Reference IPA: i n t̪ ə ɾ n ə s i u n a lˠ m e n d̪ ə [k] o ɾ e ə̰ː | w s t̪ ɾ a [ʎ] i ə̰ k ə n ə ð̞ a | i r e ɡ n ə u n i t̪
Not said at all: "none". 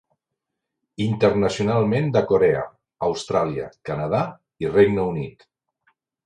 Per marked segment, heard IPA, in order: k, l

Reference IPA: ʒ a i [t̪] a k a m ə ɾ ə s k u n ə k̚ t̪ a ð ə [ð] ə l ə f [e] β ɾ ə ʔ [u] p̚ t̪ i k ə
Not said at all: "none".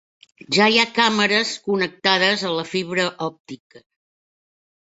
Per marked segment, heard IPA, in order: none, z, i, ɔ

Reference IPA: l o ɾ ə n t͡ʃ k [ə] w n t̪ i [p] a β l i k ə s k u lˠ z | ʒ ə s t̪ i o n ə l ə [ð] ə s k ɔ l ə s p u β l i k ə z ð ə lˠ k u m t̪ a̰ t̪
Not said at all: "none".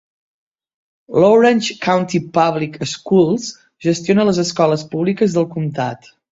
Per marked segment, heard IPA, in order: a, p, z

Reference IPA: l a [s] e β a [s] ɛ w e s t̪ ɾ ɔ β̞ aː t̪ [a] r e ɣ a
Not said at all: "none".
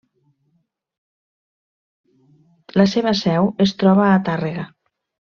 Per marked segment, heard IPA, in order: s, s, a

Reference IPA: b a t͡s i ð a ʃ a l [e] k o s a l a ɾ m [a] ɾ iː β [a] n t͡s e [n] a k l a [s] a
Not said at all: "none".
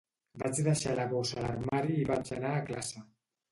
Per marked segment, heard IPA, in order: a, a, a, n, s

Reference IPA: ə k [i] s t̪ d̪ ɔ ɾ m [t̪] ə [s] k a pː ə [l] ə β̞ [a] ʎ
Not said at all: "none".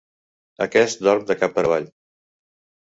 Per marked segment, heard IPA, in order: ɛ, d̪, none, ɾ, a

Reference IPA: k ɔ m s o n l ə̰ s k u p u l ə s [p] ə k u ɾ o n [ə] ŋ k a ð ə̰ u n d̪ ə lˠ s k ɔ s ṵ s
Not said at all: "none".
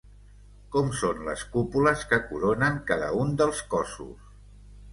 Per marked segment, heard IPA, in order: k, ə

